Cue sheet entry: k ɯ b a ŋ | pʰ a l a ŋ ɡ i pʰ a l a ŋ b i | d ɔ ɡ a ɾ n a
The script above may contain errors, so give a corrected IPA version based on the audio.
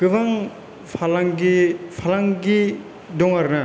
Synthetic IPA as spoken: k ɯ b a ŋ | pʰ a l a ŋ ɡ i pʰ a l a ŋ ɡ i | d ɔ ŋ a ɾ n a